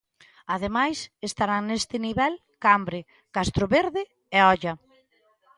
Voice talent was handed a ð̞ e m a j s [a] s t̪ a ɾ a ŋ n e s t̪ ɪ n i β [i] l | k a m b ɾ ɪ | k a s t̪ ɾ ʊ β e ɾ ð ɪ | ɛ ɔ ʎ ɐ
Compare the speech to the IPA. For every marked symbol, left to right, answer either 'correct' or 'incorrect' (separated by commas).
incorrect, incorrect